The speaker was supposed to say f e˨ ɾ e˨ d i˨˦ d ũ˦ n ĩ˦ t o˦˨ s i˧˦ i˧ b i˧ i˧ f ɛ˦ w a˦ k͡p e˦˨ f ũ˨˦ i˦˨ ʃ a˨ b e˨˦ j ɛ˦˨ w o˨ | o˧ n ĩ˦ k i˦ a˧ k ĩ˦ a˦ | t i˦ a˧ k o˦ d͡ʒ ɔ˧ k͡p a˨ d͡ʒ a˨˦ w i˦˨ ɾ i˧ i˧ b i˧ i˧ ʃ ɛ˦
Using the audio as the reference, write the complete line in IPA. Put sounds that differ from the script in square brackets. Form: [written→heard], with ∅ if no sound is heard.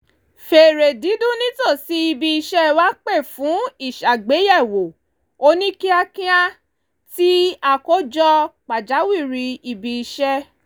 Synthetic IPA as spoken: f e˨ ɾ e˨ d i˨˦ d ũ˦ n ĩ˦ t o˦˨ s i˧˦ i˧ b i˧ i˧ [f→ʃ] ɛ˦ w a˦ k͡p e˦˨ f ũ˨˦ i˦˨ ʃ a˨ [b→ɡ͡b] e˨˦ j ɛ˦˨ w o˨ | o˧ n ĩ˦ k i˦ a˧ k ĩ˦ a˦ | t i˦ a˧ k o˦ d͡ʒ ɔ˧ k͡p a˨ d͡ʒ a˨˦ w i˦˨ ɾ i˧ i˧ b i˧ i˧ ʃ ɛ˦